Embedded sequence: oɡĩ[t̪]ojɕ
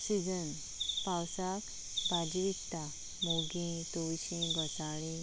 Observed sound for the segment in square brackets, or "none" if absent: t̪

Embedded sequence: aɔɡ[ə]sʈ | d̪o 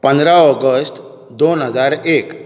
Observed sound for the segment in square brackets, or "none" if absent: ə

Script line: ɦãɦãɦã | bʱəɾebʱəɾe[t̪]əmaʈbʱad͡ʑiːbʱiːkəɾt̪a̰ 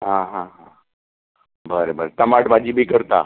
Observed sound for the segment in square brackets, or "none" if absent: t̪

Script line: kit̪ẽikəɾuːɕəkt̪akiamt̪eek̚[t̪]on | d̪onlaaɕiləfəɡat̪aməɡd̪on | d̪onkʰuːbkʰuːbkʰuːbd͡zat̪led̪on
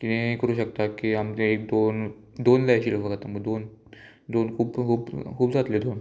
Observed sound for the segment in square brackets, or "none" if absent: d̪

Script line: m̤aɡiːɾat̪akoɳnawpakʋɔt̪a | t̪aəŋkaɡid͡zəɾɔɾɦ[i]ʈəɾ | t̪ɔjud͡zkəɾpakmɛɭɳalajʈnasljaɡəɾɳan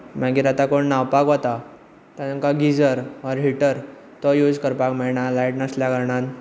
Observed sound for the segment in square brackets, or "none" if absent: i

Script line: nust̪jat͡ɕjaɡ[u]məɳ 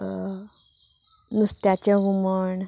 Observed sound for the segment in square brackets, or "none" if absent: u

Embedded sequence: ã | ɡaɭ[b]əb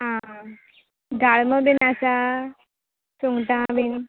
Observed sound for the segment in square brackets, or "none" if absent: m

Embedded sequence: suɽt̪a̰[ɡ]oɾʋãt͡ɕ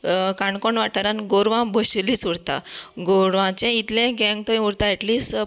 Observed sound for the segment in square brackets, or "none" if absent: ɡ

